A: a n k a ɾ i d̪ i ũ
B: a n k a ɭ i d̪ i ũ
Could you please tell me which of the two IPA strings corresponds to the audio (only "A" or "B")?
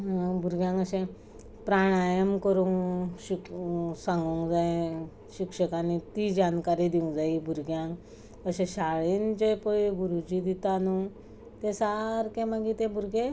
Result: A